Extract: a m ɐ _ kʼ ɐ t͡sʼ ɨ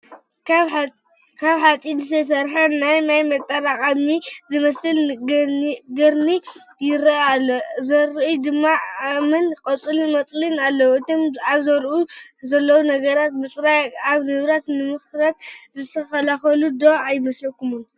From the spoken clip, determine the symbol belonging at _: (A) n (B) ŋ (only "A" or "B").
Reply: A